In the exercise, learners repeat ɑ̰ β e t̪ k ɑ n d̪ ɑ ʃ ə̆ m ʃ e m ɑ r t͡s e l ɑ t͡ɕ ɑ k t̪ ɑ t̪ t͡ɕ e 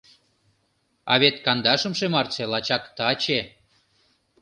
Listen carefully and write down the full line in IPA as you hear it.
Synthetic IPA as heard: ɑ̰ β e t̪ k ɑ n d̪ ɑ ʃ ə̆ m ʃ e m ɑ r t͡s e l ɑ t͡ɕ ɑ k t̪ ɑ t͡ɕ e